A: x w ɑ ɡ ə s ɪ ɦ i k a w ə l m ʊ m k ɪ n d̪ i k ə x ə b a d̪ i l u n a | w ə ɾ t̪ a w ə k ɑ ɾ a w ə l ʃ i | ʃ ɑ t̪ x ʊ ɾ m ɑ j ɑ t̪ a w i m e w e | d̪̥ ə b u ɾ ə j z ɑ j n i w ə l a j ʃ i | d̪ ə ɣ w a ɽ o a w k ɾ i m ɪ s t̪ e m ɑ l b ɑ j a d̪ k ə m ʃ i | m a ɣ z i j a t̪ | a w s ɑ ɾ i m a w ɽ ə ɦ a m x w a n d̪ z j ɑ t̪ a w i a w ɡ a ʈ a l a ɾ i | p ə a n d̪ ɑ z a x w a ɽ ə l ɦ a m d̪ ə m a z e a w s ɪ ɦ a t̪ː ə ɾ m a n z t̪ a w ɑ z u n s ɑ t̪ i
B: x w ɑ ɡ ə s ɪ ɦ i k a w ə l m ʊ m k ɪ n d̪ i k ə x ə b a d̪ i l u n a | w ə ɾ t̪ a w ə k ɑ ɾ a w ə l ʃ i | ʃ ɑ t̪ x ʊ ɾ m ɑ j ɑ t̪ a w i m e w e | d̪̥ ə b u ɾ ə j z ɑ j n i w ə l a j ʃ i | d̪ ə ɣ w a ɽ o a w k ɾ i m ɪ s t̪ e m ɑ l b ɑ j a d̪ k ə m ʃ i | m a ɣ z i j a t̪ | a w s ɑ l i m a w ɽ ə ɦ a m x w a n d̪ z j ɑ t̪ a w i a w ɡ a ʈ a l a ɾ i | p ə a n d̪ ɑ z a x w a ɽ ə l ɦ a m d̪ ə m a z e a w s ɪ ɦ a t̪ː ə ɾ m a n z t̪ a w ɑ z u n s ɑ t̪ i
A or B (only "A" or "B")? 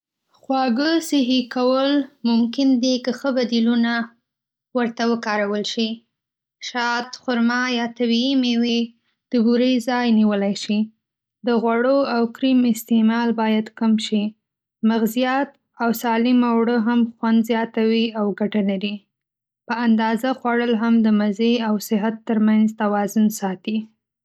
B